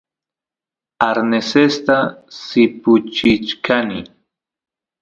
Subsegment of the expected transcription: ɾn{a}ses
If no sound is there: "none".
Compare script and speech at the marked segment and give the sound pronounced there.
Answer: e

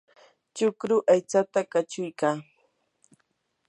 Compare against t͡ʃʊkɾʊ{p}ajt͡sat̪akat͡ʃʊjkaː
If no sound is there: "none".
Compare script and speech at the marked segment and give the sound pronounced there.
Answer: ʔ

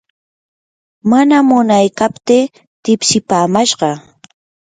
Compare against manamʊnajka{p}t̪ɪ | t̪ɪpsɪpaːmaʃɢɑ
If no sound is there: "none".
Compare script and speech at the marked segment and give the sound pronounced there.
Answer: p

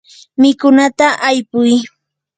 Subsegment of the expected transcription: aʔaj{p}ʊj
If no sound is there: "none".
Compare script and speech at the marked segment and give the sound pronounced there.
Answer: p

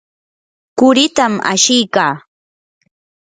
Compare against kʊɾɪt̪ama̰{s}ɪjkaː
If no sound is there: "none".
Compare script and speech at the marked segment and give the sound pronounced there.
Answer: ʃ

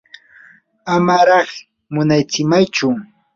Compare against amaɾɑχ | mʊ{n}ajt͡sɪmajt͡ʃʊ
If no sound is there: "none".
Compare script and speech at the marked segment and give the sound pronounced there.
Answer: n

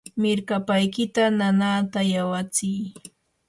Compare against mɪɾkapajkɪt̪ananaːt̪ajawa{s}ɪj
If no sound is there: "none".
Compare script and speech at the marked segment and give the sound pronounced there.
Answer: t͡s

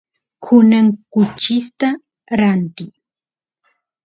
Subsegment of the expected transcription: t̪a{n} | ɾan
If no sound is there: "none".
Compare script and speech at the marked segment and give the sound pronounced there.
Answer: none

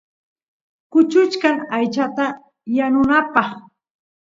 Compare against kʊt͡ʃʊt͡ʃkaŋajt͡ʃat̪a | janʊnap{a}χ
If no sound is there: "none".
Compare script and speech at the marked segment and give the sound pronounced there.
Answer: ɑ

